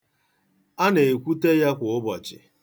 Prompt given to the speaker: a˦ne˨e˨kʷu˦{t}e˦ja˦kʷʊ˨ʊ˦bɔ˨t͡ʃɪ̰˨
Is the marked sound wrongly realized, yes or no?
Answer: no